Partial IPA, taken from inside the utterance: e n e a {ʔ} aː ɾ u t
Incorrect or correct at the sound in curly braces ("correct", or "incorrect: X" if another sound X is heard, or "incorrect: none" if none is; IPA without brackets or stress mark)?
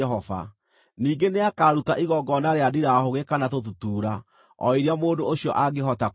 incorrect: k